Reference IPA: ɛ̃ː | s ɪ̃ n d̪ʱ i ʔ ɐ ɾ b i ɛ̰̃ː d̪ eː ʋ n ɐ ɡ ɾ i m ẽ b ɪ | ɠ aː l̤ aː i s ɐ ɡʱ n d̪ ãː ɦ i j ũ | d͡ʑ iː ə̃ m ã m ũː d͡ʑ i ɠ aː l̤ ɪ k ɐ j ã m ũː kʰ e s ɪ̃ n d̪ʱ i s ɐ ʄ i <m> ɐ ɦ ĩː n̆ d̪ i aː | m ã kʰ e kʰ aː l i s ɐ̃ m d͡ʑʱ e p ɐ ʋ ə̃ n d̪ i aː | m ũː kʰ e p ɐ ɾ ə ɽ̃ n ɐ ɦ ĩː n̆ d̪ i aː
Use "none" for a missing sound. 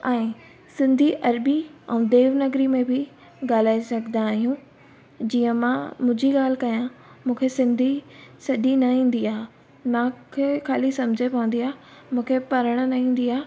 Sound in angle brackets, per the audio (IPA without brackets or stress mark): n